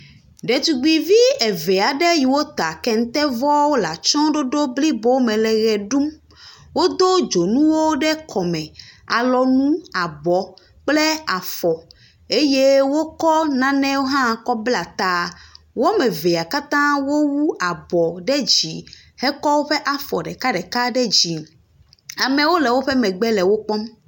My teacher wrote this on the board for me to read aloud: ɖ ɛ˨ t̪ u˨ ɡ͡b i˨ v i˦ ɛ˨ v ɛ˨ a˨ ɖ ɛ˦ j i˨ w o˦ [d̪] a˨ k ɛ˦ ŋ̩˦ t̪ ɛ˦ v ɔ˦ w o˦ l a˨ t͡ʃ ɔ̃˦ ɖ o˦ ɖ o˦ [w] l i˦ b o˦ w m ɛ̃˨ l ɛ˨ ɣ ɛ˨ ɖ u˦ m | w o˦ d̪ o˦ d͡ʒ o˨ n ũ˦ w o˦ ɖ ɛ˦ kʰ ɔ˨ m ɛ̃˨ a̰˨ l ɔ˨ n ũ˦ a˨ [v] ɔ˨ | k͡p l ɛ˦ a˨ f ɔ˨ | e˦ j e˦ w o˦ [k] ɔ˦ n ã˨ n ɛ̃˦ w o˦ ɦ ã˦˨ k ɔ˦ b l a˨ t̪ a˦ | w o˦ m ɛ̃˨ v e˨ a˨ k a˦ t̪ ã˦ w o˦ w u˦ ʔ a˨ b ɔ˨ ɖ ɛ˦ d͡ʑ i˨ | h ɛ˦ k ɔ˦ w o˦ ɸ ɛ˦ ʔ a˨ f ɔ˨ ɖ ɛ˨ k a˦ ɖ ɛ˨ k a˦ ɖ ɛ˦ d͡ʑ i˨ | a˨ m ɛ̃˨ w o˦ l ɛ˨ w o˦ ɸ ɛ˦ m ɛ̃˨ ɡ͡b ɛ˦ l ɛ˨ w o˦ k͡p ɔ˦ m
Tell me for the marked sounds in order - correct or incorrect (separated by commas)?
incorrect, incorrect, incorrect, correct